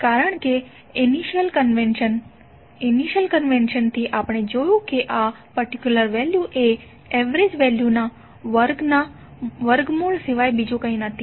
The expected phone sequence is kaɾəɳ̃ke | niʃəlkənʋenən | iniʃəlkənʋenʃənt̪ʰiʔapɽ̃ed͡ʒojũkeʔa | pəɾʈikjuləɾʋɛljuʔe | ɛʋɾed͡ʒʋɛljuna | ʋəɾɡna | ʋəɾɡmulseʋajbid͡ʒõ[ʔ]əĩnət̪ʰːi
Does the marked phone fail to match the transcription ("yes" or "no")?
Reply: yes